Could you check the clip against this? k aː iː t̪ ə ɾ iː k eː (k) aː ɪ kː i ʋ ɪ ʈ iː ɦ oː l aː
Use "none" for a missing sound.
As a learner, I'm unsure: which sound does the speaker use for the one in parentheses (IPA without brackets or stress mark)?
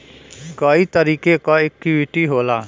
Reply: k